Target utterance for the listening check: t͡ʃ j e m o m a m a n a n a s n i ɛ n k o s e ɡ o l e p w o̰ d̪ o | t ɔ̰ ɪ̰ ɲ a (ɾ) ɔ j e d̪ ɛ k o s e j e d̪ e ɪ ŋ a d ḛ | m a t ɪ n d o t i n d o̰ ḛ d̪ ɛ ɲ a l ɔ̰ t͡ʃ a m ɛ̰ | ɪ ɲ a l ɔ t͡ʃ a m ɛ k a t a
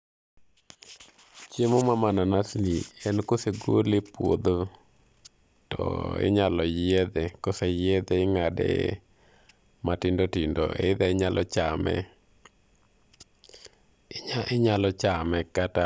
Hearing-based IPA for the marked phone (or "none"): l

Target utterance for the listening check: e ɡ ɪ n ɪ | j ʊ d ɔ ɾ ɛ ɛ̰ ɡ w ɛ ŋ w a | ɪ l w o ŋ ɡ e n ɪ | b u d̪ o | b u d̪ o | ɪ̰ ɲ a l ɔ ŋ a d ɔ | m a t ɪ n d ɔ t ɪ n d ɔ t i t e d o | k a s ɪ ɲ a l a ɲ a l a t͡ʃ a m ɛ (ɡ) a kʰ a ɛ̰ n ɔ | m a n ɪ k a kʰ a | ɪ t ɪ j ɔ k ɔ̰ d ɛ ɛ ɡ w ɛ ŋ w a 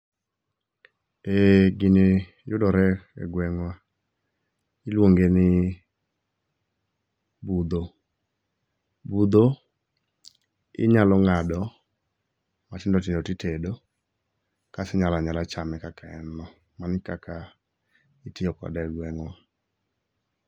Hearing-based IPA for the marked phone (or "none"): k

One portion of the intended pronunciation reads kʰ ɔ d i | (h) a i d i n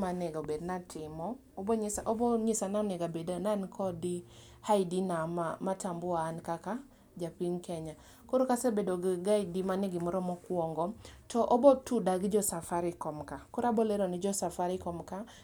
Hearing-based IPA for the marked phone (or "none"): h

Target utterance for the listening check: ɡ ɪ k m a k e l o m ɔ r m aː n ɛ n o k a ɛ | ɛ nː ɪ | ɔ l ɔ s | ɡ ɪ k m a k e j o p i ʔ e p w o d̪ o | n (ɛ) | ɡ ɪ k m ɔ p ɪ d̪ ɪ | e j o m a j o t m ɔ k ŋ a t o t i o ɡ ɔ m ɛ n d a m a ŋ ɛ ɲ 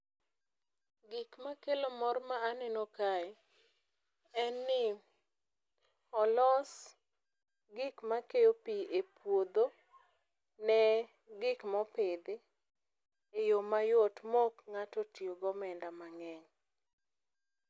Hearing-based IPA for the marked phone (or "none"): ɛ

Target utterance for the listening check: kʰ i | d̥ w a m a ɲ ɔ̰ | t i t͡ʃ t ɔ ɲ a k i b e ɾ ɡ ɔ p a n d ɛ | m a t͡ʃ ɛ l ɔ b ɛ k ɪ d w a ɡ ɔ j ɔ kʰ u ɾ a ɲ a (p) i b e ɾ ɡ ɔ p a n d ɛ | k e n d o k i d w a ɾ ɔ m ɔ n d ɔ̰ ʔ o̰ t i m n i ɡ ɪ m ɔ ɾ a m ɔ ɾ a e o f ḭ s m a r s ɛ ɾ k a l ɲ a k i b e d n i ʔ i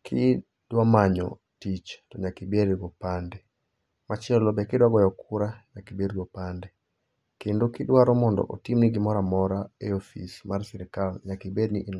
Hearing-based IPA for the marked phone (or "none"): k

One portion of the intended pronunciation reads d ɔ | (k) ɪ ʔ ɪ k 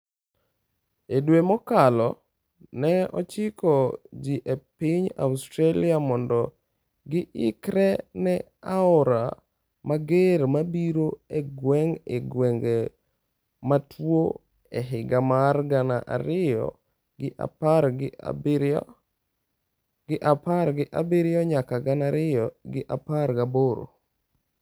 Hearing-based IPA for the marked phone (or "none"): ɡ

